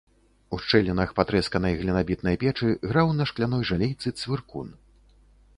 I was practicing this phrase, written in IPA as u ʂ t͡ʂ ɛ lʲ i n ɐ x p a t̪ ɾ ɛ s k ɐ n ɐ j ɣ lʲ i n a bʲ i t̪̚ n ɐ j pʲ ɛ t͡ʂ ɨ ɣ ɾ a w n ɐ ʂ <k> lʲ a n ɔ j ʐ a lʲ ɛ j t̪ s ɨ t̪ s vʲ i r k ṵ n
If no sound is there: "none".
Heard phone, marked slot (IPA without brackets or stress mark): k